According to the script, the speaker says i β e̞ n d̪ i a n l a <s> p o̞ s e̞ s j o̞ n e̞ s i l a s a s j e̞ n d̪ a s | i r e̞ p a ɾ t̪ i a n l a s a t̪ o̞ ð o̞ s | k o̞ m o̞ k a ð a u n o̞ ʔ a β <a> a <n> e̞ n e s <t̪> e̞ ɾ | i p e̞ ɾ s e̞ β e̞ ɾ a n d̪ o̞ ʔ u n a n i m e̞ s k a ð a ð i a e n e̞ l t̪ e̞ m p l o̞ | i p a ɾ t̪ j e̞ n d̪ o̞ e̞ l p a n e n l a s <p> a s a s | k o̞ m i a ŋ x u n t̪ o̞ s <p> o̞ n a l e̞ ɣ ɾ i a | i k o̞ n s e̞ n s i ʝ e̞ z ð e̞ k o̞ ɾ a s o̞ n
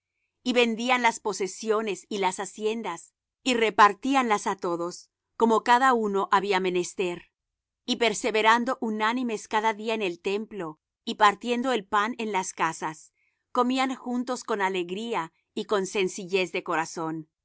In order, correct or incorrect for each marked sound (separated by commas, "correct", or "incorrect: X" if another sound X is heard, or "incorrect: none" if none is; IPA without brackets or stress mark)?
correct, incorrect: i, incorrect: m, correct, incorrect: k, incorrect: k